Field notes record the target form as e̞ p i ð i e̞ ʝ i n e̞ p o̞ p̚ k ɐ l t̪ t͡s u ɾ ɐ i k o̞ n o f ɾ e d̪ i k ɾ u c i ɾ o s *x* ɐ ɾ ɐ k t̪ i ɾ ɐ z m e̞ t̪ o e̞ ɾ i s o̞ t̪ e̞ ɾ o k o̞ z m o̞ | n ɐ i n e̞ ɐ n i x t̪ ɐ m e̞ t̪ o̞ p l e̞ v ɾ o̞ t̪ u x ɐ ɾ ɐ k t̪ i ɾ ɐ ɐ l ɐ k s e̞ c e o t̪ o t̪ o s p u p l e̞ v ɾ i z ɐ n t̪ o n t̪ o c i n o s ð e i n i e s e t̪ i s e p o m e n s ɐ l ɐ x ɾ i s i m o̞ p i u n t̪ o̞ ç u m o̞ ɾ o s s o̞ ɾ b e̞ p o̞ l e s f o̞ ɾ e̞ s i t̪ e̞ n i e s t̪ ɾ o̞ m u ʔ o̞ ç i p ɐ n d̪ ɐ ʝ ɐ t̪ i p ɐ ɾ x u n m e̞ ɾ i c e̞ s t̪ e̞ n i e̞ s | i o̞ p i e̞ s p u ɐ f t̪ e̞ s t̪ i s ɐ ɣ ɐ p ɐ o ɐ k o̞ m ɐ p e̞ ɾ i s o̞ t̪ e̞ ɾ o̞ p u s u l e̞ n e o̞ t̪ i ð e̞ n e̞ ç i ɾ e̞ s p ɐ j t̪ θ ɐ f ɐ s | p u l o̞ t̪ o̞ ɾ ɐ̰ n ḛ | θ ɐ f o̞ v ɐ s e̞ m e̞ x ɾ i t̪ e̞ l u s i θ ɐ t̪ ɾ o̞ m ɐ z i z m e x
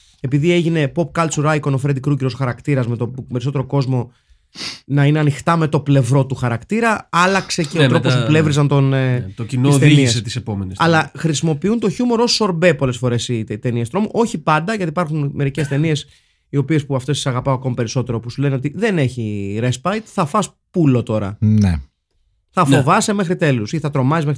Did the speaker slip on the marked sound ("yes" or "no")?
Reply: no